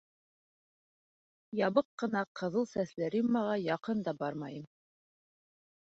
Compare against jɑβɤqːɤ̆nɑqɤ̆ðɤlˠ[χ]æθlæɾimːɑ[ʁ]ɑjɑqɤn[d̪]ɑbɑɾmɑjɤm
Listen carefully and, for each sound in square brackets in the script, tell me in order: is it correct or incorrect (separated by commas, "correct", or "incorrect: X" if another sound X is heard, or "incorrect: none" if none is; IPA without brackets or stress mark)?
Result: incorrect: s, correct, correct